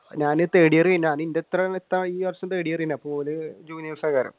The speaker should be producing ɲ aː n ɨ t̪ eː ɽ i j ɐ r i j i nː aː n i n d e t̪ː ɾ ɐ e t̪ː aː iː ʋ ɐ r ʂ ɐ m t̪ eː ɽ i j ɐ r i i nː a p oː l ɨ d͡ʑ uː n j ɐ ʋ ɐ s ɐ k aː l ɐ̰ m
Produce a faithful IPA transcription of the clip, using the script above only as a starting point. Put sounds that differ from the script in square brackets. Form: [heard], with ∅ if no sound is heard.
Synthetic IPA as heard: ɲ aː n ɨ t̪ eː ɽ i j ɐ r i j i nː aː n i n d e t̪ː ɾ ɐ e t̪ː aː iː ʋ ɐ r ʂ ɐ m t̪ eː ɽ i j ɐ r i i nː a p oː l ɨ d͡ʑ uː n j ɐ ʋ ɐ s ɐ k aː [ɾ] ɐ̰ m